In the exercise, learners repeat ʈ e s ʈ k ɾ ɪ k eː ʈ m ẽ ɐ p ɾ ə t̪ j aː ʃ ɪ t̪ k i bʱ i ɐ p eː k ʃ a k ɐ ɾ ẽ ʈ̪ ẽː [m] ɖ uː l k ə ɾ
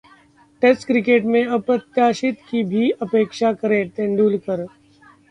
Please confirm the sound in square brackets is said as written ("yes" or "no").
no